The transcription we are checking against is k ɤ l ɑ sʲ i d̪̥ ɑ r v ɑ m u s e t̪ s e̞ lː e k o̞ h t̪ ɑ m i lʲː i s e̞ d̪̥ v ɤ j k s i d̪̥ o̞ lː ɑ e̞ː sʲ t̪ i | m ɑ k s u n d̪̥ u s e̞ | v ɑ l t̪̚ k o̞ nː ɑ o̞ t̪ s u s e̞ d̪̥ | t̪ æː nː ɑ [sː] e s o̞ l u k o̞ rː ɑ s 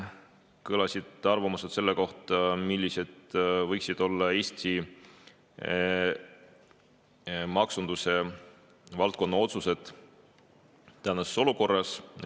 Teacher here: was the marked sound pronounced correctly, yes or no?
no